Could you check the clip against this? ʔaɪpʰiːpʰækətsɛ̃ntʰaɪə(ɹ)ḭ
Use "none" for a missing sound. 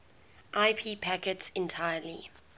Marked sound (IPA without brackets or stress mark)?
l